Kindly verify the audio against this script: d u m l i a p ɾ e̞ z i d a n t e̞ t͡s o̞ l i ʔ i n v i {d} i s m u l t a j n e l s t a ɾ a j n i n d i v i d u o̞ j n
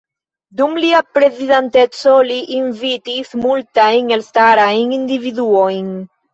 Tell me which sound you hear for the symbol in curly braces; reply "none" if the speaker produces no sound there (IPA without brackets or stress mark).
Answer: t